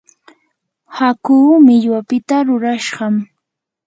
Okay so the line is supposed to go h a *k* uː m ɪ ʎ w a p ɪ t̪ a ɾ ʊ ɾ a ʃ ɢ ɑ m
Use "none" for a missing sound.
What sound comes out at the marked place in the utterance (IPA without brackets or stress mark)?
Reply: k